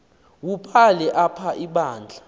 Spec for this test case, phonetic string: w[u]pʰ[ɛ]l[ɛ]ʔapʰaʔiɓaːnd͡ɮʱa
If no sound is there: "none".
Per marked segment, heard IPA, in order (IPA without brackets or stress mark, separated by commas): u, a, ɛ